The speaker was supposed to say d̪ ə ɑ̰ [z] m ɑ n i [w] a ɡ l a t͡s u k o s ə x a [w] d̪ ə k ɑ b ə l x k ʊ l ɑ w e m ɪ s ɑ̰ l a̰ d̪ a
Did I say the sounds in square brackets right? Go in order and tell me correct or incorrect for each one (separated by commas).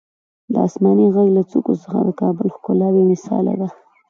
incorrect, incorrect, incorrect